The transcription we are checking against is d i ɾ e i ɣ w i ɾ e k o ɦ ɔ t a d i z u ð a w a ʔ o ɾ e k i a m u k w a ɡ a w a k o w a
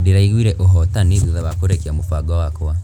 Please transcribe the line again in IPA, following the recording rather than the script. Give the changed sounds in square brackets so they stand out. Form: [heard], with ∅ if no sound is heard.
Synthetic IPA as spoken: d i ɾ [a] i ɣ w i ɾ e [ʔ] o ɦ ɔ t a [n] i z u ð a [β] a [k] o ɾ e k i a m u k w a ɡ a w a k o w a

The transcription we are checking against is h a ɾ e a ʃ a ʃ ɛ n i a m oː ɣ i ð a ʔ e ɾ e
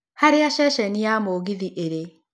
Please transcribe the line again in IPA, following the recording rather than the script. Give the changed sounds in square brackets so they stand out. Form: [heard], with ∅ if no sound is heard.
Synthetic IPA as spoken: h a ɾ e a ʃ [ɛ] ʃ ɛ n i a m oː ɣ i ð [i] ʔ e ɾ e

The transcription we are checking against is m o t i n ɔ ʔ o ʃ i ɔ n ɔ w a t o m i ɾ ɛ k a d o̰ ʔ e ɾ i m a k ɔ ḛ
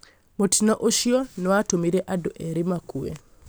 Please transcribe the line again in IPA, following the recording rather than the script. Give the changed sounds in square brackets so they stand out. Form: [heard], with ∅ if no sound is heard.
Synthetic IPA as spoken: m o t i n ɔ ʔ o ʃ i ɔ n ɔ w a t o m i ɾ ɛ [ʔ] a d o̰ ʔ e ɾ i m a k [u] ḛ

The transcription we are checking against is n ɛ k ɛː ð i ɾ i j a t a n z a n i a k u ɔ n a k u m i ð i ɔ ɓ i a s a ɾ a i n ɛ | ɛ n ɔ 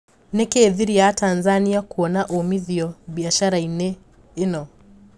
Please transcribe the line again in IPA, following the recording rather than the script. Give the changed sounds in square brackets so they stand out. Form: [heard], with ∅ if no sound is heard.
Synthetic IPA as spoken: n ɛ k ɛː ð i ɾ i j a t a n z a n i a k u ɔ n a [ʔ] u m i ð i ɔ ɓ i a [ʃ] a ɾ a i n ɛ | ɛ n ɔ

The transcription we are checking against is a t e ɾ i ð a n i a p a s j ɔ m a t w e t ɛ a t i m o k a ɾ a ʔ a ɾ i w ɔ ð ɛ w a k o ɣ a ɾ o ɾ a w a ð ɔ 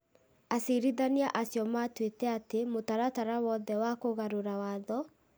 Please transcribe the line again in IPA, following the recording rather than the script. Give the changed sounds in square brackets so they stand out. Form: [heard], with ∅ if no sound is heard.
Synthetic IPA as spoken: a [s] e ɾ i ð a n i a [ʔ] a s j ɔ m a t w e t ɛ a t [e] m o [t] a ɾ a [t] a ɾ [a] w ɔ ð ɛ w a k o ɣ a ɾ o ɾ a w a ð ɔ

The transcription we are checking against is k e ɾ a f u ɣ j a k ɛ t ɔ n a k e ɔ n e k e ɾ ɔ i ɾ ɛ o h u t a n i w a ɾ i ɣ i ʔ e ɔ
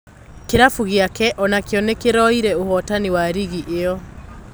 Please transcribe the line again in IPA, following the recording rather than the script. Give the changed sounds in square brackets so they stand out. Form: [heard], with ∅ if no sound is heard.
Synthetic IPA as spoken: k e ɾ a f u ɣ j a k ɛ [ʔ] ɔ n a k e ɔ n e k e ɾ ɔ i ɾ ɛ o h [ɔ] t a n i w a ɾ i ɣ i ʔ e ɔ

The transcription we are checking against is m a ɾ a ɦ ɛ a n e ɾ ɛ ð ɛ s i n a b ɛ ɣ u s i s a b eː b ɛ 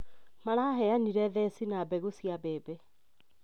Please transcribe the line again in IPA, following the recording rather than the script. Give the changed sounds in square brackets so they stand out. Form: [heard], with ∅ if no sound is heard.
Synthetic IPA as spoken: m a ɾ a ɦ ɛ a n [i] ɾ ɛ ð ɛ s i n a b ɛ ɣ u s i [∅] a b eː b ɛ

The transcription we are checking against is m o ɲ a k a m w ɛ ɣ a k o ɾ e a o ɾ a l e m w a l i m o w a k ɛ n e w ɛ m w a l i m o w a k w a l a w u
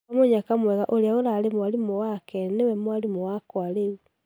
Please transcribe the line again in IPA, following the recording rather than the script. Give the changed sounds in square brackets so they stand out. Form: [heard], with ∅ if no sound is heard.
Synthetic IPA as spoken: m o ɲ a k a m w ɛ ɣ a [ʔ] o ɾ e a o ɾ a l e m w a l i m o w a k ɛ n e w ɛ m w a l i m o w a k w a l [e] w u

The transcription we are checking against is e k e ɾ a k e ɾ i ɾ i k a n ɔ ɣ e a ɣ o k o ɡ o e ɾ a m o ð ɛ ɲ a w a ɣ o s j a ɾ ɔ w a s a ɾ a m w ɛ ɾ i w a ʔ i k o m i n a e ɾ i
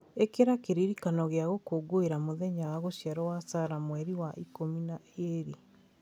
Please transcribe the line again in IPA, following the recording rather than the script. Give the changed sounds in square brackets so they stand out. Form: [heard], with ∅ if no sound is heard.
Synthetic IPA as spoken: e k e ɾ a k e ɾ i ɾ i k a n ɔ ɣ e a ɣ o k o ɡ o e ɾ a m o ð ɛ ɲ a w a ɣ o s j a ɾ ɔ w a s a ɾ a m w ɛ ɾ i w a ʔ i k o m i n a e ɾ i

